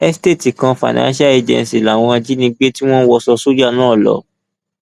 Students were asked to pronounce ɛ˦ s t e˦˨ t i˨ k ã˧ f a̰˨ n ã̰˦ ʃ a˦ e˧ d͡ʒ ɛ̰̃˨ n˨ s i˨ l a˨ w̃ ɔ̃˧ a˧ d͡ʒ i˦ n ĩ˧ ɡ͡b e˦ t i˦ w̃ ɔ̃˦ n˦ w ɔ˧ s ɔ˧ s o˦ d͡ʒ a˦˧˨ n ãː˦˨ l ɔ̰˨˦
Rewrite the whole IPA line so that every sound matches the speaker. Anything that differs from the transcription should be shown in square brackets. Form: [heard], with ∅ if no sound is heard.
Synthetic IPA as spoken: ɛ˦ s t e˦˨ t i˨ k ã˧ f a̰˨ n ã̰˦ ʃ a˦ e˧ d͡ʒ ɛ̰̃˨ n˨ s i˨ l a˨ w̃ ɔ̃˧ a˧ d͡ʒ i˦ n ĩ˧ ɡ͡b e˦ t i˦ w̃ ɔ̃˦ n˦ w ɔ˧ s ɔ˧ s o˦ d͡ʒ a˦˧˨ n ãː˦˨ l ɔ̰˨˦